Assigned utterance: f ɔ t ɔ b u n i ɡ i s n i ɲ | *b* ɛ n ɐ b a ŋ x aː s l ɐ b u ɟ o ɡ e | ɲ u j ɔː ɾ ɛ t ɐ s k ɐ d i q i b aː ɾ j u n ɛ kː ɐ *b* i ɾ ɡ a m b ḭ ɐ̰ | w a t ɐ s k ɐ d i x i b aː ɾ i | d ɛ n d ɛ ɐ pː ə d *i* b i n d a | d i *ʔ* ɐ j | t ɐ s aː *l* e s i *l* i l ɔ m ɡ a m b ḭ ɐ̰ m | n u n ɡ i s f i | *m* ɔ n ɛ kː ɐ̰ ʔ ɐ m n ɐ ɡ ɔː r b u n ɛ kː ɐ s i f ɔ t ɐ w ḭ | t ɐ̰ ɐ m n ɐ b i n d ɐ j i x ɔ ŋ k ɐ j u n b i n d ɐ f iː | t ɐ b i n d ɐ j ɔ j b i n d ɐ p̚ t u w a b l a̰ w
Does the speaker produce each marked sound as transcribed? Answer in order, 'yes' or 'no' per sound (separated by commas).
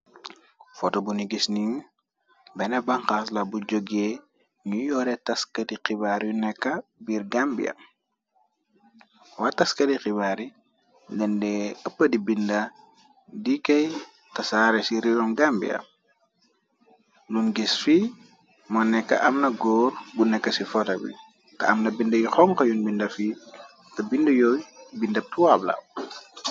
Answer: yes, yes, yes, no, no, no, yes